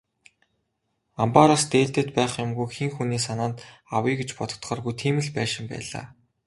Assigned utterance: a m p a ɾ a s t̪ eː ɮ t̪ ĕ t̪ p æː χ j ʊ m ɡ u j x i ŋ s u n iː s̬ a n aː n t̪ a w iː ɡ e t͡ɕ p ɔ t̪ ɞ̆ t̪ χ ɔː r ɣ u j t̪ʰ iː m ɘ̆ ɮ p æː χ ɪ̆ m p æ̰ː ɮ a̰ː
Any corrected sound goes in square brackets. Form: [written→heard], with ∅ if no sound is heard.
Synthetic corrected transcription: a m p a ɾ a s t̪ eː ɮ t̪ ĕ t̪ p æː χ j ʊ m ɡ u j x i ŋ [s→x] u n iː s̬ a n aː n t̪ a w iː ɡ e t͡ɕ p ɔ t̪ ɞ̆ t̪ χ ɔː r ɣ u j t̪ʰ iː m ɘ̆ ɮ p æː [χ→ʃ] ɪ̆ m p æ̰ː ɮ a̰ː

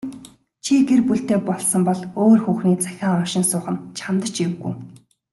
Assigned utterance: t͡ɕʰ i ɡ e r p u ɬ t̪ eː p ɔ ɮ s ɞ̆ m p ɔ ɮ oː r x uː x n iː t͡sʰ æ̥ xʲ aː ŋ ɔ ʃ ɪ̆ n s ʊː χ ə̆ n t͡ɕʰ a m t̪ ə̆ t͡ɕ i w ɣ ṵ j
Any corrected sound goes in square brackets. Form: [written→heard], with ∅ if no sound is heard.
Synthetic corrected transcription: t͡ɕʰ i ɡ e r p u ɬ t̪ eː p ɔ ɮ s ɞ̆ m p ɔ ɮ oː r x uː x n iː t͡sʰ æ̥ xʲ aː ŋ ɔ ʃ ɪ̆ n s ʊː χ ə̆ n t͡ɕʰ a m t̪ ə̆ t͡ɕ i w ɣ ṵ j

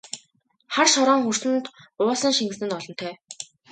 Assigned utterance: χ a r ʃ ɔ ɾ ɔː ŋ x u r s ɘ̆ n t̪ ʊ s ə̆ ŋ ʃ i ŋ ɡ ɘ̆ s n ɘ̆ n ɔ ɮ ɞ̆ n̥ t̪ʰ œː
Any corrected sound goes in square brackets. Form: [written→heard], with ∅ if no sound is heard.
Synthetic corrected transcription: χ a r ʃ ɔ ɾ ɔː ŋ x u r s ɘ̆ n t̪ [ʊ→ʊː] s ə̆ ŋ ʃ i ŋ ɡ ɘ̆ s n ɘ̆ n ɔ ɮ ɞ̆ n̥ t̪ʰ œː

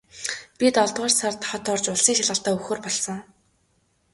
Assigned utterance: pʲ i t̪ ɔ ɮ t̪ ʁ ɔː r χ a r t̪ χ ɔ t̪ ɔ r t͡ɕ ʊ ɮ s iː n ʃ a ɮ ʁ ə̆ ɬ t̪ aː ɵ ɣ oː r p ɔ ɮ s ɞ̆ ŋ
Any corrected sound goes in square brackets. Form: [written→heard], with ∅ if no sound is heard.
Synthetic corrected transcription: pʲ i t̪ ɔ ɮ t̪ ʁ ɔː r [χ→s] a r t̪ χ ɔ t̪ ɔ r t͡ɕ ʊ ɮ s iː [n→ŋ] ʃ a ɮ ʁ ə̆ ɬ t̪ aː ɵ [ɣ→x] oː r p ɔ ɮ s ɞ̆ ŋ

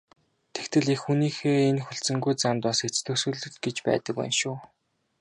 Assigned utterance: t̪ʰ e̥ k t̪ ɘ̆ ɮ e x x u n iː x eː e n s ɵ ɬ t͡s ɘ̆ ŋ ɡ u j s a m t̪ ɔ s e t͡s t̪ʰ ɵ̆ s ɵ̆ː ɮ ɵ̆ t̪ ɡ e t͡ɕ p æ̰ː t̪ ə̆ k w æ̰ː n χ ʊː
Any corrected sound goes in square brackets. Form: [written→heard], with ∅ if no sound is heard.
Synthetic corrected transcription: t̪ʰ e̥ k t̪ ɘ̆ ɮ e x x u n iː x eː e n [s→x] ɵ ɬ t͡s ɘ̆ ŋ ɡ u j [s→t͡s] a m t̪ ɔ s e t͡s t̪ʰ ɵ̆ s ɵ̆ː ɮ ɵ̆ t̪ ɡ e t͡ɕ p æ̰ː t̪ ə̆ k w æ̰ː n [χ→ʃ] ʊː

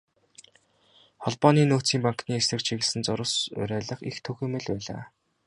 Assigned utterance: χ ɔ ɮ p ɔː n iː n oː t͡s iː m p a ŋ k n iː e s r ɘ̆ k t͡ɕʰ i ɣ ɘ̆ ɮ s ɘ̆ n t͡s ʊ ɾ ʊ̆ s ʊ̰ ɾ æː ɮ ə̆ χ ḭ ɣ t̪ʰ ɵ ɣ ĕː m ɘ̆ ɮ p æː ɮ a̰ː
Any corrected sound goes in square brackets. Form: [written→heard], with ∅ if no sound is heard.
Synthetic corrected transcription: χ ɔ ɮ p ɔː n iː n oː t͡s iː m p a ŋ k n iː e s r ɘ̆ k t͡ɕʰ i ɣ ɘ̆ ɮ s ɘ̆ n t͡s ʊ ɾ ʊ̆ s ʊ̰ ɾ æː ɮ ə̆ χ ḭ [ɣ→x] t̪ʰ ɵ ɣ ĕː m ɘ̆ ɮ p æː ɮ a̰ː

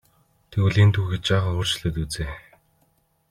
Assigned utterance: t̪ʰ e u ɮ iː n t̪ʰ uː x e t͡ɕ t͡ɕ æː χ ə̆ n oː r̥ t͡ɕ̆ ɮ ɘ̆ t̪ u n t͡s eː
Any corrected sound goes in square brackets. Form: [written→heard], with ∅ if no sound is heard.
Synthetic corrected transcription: t̪ʰ e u ɮ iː n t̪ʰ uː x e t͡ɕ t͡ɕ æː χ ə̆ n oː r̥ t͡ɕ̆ ɮ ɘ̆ t̪ u [n→∅] t͡s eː

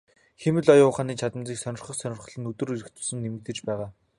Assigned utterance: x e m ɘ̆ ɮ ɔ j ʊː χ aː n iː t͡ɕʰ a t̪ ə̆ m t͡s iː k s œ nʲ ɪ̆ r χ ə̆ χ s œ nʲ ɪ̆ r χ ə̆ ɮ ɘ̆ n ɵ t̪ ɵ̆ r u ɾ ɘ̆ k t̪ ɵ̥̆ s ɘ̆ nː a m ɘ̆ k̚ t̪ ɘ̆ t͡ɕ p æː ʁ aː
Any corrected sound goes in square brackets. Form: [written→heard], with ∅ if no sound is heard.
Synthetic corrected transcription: x e m ɘ̆ ɮ ɔ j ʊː χ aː n iː t͡ɕʰ a t̪ ə̆ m t͡s iː k s œ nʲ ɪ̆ r χ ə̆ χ s œ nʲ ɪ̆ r χ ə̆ ɮ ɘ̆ n ɵ t̪ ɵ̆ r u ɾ ɘ̆ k t̪ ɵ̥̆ s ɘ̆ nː [a→e] m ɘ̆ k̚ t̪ ɘ̆ t͡ɕ p æː ʁ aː

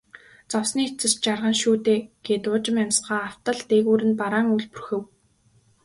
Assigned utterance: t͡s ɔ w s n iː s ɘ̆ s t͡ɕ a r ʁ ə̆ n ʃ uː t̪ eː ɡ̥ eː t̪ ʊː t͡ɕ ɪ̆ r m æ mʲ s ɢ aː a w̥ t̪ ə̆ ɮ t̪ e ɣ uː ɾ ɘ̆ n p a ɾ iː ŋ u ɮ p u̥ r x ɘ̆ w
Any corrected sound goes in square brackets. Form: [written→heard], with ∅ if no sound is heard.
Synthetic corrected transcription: t͡s ɔ w s n iː [s→t͡s] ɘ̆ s t͡ɕ a r ʁ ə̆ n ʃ uː t̪ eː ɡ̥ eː t̪ ʊː t͡ɕ ɪ̆ [r→∅] m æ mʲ s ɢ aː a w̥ t̪ ə̆ ɮ t̪ e ɣ uː ɾ ɘ̆ n p a ɾ [iː→aː] ŋ u ɮ p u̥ r x ɘ̆ w

